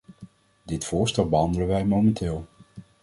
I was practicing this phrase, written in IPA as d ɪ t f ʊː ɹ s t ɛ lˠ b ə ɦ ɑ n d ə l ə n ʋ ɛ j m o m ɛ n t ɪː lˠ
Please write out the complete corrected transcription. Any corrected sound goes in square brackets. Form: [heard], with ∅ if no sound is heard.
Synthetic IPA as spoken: d ɪ t f ʊː ɹ s t ɛ lˠ b ə ɦ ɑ n d ə l ə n ʋ ɛ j m o m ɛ n t ɪː lˠ